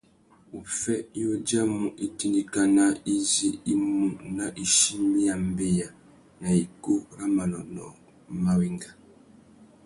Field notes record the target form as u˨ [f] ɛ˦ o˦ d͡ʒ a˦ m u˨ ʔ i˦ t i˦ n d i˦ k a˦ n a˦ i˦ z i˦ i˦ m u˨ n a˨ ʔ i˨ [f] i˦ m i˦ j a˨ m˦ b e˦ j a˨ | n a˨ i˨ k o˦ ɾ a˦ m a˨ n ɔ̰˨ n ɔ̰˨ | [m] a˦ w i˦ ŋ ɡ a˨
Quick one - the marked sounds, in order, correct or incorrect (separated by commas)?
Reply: correct, incorrect, correct